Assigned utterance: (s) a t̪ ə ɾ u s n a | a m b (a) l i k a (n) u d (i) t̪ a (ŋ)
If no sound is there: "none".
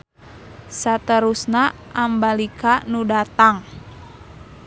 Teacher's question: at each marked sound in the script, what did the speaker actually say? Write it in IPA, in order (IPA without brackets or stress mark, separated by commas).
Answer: s, a, n, a, ŋ